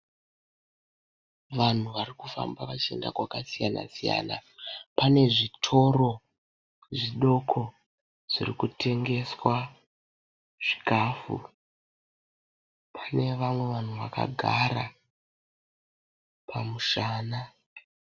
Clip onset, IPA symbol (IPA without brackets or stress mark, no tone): ʋ